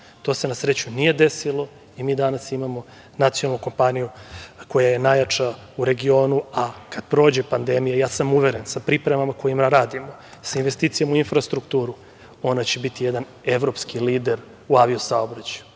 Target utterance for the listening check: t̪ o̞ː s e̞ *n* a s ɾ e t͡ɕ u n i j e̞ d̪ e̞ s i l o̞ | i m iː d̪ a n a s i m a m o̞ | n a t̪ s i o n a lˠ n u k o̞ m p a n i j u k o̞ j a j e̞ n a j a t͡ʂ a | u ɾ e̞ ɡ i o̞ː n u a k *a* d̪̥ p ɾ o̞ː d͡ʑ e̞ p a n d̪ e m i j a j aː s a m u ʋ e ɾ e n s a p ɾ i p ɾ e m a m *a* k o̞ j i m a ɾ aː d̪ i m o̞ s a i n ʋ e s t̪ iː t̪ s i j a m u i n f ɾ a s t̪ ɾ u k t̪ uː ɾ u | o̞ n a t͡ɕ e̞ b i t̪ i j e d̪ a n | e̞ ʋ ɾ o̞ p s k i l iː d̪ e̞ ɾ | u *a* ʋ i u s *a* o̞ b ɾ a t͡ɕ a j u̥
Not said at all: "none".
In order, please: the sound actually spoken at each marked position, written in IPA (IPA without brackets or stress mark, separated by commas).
n, a, a, a, a